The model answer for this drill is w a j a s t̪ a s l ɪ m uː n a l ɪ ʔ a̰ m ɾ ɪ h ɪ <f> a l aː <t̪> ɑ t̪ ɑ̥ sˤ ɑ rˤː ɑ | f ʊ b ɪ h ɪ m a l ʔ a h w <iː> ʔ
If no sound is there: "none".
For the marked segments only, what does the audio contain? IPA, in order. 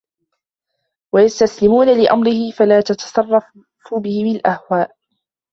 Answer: f, t̪, aː

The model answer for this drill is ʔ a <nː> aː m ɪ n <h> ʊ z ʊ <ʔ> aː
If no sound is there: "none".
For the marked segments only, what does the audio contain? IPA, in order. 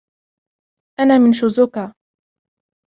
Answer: n, ʃ, k

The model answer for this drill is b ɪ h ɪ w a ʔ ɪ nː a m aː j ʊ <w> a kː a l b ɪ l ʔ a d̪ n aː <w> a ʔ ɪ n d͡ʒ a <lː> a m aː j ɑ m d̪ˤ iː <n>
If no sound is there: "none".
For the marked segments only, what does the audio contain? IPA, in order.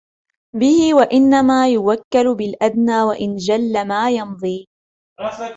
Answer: w, w, lː, none

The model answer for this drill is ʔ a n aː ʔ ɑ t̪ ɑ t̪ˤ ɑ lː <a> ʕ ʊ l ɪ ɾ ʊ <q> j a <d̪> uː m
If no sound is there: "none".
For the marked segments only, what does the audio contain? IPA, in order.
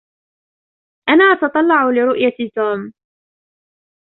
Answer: ɑ, ʔ, t̪

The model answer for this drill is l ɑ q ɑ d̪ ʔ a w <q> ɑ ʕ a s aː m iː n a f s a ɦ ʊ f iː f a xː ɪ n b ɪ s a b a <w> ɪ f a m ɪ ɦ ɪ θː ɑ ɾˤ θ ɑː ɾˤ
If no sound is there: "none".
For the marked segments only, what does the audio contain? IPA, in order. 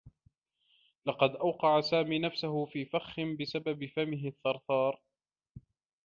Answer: q, b

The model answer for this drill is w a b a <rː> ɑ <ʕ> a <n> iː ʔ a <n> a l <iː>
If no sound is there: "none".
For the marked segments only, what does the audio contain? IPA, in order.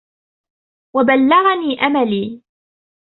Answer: lː, ɣ, n, m, iː

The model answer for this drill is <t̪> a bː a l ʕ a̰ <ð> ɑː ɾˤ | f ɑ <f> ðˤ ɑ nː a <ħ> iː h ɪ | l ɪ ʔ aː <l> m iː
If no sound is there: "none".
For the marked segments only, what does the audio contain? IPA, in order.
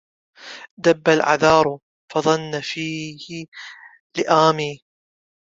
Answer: d̪, ð, none, f, none

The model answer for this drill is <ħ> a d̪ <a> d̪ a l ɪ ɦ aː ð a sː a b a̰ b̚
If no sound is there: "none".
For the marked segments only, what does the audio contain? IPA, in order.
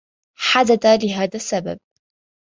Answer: ħ, a

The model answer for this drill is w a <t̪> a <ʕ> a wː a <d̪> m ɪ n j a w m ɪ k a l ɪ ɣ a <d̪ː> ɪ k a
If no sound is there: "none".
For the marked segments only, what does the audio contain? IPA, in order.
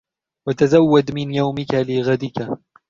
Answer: t̪, z, d̪, d̪

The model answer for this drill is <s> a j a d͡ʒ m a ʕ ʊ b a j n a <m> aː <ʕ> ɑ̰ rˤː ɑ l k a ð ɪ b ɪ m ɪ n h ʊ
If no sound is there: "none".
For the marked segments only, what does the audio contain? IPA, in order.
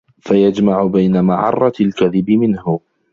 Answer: f, m, ʕ

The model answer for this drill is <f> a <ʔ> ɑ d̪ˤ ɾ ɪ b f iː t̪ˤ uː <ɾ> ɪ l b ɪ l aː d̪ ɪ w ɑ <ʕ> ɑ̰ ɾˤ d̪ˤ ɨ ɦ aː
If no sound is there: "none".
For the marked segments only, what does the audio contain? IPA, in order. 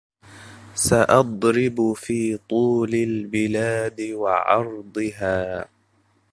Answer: s, ʔ, l, ʕ

